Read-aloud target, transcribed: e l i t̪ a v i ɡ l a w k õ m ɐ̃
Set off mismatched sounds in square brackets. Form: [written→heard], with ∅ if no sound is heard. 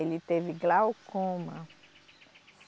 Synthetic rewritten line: e l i t̪ [a→e] v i ɡ l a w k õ m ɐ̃